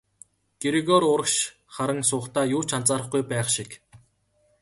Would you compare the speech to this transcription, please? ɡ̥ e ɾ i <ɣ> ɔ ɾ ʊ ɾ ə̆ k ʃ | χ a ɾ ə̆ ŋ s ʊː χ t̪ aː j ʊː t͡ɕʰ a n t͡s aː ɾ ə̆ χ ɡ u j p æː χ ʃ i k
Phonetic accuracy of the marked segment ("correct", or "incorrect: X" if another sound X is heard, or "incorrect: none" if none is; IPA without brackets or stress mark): correct